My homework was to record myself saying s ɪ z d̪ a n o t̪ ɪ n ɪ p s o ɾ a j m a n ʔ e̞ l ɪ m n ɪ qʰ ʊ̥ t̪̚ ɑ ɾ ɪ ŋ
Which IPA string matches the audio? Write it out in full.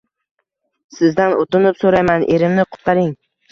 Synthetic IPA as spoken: s ɪ z d̪ a n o t̪ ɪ n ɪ p s o ɾ a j m a n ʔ e̞ ɾ ɪ m n ɪ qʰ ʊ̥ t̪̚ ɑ ɾ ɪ ŋ